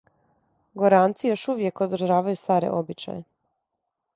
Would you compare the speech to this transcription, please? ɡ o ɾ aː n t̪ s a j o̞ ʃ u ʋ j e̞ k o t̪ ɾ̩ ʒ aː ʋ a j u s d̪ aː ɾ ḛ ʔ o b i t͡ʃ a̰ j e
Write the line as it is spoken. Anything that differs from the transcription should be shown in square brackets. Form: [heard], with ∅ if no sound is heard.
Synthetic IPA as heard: ɡ o ɾ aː n t̪ s [i] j o̞ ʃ u ʋ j e̞ k o [d̪] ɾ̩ ʒ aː ʋ a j u s [t̪] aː ɾ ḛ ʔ o b i t͡ʃ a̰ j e